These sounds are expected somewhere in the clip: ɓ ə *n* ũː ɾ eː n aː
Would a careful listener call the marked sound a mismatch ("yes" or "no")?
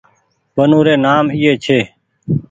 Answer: no